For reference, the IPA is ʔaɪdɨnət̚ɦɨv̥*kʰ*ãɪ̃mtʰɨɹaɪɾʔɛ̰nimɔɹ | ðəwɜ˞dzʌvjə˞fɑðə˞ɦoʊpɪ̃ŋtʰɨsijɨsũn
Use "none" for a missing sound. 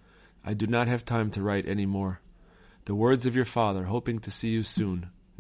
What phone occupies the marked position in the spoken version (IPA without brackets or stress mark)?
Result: tʰ